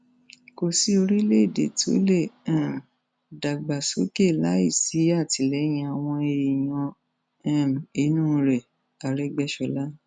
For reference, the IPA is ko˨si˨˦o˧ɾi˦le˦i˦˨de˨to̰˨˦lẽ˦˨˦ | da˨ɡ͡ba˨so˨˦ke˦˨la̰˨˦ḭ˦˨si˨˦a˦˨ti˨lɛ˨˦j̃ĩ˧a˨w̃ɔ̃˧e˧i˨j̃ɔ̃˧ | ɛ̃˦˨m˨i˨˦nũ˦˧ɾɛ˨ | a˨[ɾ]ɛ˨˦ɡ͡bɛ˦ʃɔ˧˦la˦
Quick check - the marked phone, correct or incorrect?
correct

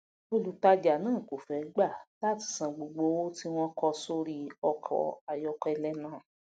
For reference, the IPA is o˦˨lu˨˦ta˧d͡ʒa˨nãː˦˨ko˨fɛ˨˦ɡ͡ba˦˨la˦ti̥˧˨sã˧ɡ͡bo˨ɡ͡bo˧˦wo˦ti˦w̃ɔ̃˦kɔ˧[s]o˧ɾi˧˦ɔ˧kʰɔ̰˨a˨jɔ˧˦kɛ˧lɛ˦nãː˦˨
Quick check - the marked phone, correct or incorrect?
correct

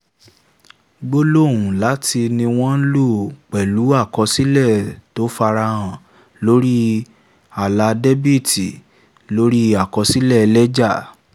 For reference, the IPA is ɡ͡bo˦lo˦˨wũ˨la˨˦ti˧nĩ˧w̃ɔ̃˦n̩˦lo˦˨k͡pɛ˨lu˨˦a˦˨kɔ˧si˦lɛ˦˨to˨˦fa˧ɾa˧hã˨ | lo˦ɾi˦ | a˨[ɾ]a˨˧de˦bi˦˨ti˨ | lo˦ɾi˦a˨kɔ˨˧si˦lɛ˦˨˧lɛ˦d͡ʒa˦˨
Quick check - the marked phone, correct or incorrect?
incorrect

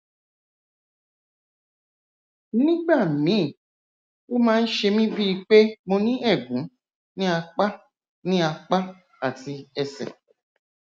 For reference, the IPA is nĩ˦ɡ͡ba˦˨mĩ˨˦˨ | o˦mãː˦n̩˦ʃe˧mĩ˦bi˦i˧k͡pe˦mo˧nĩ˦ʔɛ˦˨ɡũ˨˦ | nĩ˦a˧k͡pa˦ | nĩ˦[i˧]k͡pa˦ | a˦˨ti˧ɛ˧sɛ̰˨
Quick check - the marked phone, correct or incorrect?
incorrect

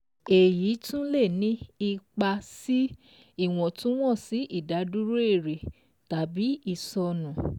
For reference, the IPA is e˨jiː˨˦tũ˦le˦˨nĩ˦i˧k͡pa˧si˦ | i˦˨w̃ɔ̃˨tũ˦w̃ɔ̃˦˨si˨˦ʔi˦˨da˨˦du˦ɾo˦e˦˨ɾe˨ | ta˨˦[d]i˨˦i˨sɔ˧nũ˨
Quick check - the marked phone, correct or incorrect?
incorrect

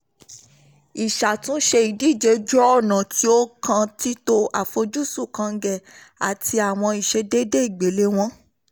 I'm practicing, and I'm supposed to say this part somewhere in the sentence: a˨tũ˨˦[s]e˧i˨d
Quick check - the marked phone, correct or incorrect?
incorrect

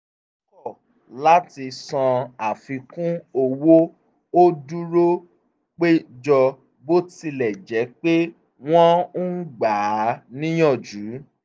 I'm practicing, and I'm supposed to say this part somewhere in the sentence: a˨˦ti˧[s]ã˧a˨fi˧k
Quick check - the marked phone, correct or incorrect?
correct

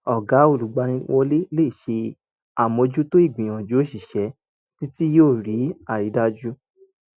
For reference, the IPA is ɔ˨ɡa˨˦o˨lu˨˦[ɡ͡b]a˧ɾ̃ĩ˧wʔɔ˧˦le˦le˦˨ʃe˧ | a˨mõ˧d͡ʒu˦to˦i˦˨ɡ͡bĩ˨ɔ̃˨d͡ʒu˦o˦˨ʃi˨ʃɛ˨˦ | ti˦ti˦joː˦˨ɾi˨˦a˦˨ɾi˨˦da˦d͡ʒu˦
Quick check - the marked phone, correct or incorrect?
correct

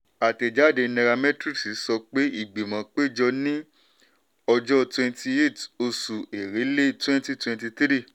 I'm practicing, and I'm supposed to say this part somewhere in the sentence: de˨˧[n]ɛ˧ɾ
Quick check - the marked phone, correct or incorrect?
correct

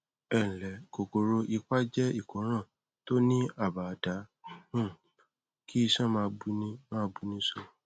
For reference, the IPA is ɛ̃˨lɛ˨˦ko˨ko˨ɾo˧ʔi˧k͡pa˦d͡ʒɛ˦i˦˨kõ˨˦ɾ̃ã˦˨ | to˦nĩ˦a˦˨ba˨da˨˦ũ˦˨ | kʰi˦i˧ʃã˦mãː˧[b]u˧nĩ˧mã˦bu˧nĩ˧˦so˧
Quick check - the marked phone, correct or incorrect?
correct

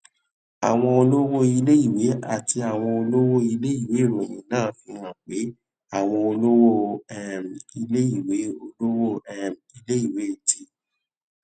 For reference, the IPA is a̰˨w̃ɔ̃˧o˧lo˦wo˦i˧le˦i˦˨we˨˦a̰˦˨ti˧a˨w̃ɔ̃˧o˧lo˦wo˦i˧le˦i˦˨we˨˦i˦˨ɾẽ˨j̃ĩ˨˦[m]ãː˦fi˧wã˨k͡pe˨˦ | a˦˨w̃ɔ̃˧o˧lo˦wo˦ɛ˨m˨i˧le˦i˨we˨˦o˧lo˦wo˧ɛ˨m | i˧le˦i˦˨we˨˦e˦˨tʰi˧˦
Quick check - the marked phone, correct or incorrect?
incorrect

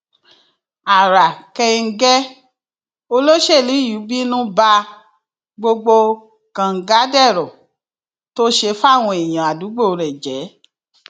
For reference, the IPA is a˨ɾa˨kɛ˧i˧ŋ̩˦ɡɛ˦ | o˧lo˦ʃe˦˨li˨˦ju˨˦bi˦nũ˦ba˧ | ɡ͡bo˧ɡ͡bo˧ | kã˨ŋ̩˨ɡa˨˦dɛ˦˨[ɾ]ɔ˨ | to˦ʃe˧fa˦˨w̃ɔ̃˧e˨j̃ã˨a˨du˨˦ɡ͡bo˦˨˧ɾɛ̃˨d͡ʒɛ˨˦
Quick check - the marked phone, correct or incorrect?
correct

